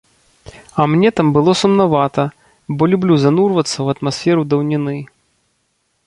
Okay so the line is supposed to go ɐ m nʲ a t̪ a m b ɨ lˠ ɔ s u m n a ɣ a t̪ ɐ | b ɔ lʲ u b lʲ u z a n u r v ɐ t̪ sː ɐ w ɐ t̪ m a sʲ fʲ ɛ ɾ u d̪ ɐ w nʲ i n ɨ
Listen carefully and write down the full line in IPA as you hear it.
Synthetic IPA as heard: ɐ m nʲ ɛ t̪ a m b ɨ lˠ ɔ s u m n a v a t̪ ɐ | b ɔ lʲ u b lʲ u z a n u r v ɐ t̪ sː ɐ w ɐ t̪ m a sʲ fʲ ɛ ɾ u d̪ ɐ w nʲ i n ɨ